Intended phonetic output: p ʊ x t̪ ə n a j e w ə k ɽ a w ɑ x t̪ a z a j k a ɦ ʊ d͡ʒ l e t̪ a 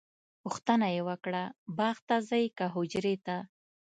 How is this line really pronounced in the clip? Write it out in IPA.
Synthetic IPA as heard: p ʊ x t̪ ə n a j e w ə k ɽ a b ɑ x t̪ a z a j k a ɦ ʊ d͡ʒ ɾ e t̪ a